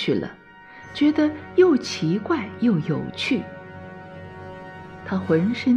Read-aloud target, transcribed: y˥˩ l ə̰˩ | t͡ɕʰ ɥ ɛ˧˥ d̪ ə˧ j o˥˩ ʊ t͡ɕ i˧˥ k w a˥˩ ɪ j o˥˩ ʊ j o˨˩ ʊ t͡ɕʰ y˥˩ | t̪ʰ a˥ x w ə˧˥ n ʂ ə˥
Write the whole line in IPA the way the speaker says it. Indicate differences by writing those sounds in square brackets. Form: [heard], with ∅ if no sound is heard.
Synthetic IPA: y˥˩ l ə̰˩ | [t͡ɕ] ɥ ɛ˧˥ d̪ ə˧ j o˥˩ ʊ [t͡ɕʰ] i˧˥ k w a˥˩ ɪ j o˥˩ ʊ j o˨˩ ʊ t͡ɕʰ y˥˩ | t̪ʰ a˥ x w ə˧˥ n ʂ ə˥